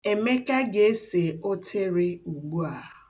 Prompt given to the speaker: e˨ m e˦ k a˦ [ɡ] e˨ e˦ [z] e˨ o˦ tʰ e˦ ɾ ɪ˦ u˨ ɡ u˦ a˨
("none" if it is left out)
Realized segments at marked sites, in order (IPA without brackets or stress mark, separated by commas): ɡ, s